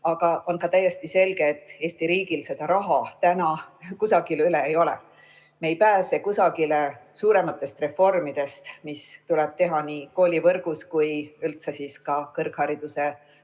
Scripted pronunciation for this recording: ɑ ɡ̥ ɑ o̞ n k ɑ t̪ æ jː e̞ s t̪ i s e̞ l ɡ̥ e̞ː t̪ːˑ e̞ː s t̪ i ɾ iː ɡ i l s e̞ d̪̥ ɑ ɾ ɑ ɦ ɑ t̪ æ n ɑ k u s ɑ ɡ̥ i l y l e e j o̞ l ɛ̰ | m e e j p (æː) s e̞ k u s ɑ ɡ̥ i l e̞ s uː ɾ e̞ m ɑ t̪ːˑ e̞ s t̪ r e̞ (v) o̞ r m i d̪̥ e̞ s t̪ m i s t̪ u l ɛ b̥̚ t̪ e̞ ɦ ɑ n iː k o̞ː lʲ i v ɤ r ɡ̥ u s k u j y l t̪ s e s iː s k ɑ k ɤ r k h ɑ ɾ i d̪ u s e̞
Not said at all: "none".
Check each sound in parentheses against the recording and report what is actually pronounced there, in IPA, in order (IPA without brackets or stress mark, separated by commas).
æː, f